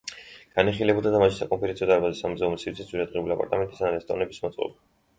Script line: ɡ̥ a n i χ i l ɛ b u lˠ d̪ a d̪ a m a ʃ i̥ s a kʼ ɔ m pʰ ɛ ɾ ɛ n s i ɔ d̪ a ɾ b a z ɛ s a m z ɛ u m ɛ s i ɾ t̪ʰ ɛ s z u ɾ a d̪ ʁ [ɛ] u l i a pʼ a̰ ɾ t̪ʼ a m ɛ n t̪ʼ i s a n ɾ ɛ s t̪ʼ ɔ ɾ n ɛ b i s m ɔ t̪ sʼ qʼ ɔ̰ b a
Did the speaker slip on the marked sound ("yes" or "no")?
no